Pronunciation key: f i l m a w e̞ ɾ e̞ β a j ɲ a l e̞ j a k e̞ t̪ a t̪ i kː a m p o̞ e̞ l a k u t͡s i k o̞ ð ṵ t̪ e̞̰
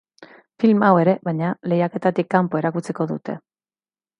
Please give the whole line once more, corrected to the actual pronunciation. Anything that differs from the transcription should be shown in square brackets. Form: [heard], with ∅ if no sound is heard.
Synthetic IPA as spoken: f i l m a w e̞ ɾ e̞ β a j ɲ a l e̞ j a k e̞ t̪ a t̪ i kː a m p o̞ e̞ [ɾ] a k u t͡s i k o̞ ð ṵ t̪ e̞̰